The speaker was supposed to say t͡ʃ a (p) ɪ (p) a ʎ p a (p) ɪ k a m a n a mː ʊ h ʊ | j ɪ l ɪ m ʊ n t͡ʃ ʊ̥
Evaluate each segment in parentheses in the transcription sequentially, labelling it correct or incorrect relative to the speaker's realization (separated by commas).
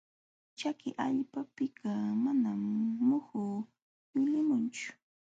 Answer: incorrect, incorrect, correct